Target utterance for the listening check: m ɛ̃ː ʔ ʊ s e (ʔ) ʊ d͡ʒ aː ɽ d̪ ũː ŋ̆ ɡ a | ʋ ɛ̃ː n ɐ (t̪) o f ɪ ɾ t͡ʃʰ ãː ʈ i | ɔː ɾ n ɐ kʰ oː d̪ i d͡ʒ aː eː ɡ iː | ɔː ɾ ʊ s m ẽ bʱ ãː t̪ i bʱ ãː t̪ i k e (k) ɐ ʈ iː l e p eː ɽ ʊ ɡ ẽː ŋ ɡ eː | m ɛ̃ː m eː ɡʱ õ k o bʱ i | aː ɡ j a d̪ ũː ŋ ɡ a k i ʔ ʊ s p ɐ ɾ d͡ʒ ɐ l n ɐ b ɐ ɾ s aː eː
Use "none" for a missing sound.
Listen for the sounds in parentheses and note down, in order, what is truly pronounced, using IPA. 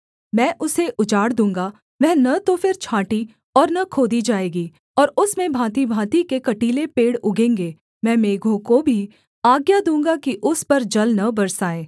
ʔ, t̪, k

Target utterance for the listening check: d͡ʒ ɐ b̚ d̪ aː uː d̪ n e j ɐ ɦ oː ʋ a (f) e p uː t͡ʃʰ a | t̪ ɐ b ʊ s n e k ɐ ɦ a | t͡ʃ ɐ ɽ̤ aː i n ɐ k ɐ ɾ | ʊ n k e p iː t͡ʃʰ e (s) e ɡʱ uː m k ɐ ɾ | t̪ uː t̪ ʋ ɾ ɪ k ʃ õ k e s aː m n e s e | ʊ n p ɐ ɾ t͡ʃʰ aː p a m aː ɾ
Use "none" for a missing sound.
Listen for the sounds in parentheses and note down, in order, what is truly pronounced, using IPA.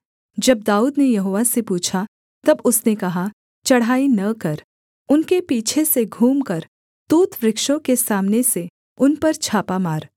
s, s

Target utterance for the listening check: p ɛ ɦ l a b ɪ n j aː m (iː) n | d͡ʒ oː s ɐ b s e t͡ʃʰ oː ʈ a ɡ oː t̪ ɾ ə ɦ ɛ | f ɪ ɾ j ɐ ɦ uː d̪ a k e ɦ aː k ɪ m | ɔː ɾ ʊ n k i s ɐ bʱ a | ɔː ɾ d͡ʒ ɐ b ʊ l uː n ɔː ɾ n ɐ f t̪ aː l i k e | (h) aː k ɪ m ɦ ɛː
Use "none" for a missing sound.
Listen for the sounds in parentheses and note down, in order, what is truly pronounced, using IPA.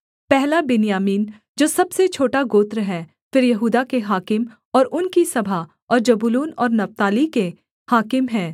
iː, h

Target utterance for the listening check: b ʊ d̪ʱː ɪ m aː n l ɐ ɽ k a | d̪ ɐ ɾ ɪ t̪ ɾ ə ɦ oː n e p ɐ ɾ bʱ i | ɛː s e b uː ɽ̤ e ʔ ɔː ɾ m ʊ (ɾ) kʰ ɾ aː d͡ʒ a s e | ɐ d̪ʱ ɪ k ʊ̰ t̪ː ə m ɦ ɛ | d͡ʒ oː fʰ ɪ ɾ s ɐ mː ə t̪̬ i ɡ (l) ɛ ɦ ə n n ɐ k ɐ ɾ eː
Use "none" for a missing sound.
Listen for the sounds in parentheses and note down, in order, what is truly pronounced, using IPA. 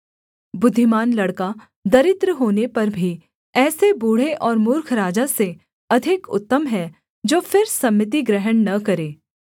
ɾ, ɾ

